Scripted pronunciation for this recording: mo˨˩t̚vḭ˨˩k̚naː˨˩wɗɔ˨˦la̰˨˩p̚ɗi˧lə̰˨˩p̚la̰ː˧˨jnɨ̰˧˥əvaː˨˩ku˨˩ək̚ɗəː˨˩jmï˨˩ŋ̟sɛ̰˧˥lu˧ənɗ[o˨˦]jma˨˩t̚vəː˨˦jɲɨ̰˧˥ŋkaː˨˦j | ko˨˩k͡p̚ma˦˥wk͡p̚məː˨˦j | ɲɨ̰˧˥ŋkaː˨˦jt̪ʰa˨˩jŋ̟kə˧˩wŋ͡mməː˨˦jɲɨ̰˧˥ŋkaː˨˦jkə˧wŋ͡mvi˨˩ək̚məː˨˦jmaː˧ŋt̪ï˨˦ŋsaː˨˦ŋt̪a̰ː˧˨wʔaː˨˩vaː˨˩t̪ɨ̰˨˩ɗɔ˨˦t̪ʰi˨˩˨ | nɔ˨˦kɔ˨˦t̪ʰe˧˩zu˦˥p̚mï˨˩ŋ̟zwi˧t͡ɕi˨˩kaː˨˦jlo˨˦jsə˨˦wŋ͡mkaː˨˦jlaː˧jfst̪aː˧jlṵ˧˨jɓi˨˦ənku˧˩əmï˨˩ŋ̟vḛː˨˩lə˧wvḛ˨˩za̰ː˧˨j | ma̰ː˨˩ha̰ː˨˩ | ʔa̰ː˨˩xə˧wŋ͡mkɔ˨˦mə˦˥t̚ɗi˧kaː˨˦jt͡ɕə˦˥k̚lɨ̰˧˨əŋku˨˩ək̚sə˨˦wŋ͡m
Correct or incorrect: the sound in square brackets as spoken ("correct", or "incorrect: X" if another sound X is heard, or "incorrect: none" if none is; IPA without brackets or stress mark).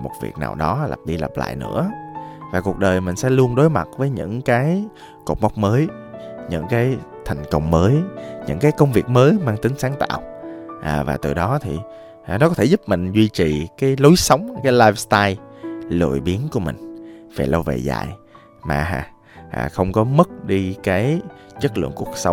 correct